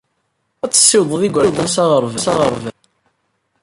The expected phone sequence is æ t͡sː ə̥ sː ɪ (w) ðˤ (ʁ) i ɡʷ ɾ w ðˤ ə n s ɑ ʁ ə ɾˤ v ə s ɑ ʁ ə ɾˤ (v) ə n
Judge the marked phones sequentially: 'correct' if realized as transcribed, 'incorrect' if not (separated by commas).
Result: correct, incorrect, correct